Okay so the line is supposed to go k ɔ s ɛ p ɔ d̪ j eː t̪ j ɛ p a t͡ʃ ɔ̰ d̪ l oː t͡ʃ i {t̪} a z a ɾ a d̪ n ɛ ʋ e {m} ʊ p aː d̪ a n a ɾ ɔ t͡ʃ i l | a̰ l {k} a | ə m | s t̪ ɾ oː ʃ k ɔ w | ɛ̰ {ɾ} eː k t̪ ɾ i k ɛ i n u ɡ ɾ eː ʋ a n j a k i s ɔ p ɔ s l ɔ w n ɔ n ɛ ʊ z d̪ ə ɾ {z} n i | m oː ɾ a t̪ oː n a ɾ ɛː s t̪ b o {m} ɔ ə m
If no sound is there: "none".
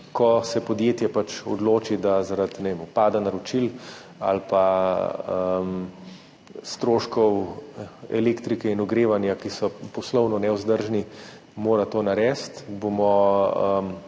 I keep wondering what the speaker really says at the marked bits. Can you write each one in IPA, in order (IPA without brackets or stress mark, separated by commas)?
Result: d̪, m, p, l, ʒ, m